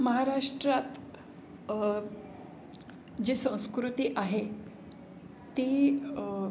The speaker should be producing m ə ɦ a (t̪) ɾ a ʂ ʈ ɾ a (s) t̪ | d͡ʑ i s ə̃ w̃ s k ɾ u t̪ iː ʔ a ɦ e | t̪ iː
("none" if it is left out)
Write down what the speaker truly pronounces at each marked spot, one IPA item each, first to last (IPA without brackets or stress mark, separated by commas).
none, none